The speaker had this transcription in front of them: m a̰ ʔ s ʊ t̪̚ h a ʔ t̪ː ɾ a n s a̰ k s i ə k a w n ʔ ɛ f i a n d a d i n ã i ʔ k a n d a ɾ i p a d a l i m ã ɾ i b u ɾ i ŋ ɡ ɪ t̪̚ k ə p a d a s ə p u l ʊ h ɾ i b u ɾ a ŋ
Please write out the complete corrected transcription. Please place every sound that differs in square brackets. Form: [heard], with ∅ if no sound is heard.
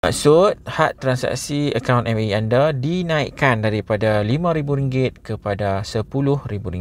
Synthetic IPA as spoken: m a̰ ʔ s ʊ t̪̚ h a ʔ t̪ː ɾ a n s a̰ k s i ə k a w n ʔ ɛ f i a n d a d i n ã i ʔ k a n d a ɾ i p a d a l i m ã ɾ i b u ɾ i ŋ ɡ ɪ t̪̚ k ə p a d a s ə p u l ʊ h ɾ i b u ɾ [i] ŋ